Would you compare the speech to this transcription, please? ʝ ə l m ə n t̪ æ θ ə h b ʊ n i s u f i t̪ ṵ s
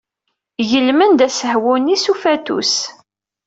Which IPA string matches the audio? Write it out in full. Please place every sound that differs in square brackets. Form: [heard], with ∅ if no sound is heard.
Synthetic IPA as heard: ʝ ə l m ə n [d̪] æ [s] ə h [w] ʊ n i s u f [æ] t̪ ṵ s